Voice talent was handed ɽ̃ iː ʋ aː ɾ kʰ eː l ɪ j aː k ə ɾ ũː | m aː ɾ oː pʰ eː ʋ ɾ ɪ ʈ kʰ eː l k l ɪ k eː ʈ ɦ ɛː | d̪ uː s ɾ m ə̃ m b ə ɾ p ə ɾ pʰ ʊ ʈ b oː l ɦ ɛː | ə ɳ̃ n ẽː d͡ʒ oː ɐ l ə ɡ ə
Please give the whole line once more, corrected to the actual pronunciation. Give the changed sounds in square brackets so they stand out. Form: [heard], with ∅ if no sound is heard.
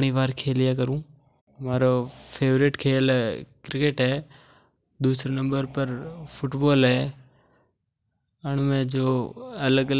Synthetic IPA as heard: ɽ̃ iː ʋ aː ɾ kʰ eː l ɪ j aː k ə ɾ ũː | m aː ɾ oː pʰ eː ʋ ɾ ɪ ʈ kʰ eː l k [ɾ] ɪ k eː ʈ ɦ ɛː | d̪ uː s ɾ [n] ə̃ m b ə ɾ p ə ɾ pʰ ʊ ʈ b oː l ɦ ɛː | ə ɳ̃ [m] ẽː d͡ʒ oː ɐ l ə ɡ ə